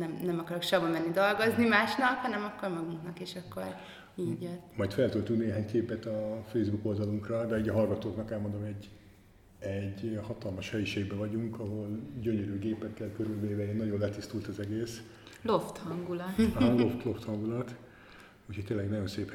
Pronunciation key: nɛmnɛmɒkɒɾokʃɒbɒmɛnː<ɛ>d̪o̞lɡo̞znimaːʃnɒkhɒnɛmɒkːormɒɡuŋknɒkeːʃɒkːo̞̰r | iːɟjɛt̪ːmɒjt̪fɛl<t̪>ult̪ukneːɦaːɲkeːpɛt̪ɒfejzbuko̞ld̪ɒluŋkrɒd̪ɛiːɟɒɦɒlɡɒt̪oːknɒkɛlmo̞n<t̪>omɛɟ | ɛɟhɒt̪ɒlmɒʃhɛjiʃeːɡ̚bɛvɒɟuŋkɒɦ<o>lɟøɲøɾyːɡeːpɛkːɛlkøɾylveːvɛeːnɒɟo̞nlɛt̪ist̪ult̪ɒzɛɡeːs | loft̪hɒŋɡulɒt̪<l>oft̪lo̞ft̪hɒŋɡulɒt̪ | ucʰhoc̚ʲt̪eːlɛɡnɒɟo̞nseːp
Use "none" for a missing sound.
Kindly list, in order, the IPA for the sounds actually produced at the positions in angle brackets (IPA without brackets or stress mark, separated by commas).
i, t̪, d̪, o, l